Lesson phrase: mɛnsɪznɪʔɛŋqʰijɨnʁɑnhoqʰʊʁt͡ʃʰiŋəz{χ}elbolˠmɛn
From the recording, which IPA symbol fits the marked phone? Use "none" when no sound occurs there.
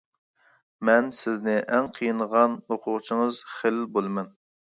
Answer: χ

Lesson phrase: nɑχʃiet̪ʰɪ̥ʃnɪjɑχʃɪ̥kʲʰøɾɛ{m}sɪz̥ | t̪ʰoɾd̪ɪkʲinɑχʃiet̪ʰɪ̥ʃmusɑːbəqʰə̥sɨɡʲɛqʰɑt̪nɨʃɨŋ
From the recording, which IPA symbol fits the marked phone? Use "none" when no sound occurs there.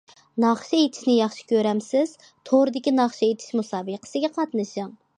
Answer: m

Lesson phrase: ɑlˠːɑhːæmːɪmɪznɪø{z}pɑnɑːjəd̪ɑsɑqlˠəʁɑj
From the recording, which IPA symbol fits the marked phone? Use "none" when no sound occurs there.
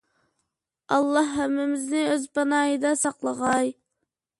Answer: z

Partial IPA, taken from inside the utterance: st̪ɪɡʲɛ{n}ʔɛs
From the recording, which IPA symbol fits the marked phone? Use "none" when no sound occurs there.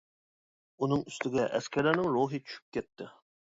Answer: none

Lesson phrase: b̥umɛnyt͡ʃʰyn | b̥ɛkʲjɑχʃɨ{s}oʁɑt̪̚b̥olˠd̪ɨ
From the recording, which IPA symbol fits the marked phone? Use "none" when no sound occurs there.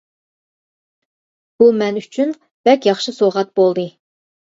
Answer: s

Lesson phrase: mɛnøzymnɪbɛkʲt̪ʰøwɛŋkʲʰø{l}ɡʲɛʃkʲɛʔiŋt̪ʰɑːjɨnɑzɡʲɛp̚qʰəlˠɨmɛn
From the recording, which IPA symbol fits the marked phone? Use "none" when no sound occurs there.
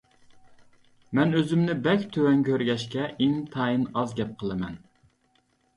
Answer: ɾ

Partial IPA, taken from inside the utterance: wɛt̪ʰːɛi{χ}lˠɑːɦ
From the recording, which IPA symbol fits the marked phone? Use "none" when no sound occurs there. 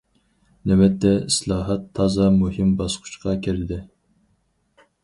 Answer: s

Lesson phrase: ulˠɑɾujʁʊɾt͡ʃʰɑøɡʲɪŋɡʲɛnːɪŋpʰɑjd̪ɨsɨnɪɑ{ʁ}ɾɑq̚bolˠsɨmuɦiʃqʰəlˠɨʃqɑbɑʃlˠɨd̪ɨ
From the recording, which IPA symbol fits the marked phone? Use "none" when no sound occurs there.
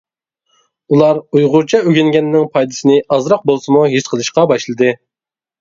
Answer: z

